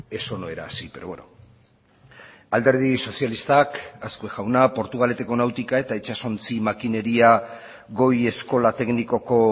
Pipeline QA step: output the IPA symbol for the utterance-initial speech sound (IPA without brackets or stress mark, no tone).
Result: e̞